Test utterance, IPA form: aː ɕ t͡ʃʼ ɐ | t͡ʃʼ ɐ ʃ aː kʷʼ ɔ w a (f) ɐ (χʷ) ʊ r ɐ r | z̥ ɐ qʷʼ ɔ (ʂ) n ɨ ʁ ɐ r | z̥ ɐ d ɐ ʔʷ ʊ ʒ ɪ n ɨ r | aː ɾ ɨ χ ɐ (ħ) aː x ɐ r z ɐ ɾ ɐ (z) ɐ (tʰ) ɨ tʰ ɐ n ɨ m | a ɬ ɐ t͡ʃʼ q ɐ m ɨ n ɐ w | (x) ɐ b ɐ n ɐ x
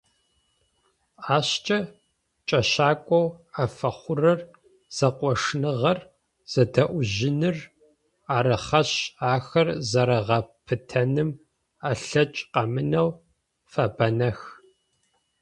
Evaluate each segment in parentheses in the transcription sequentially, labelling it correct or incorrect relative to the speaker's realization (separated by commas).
correct, correct, correct, incorrect, incorrect, incorrect, incorrect